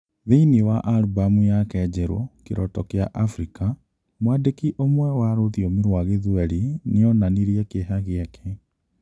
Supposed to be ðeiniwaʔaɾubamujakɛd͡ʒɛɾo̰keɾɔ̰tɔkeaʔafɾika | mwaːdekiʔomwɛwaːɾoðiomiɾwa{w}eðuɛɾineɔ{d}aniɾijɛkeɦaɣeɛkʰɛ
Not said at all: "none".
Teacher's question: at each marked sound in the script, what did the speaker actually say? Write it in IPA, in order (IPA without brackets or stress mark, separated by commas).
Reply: ɣ, n